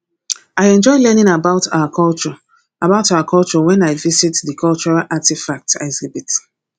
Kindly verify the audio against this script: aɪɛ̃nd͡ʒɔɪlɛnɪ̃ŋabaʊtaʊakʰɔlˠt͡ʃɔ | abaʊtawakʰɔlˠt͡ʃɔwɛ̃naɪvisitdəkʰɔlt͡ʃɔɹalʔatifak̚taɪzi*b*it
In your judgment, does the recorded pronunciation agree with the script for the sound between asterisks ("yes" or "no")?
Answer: yes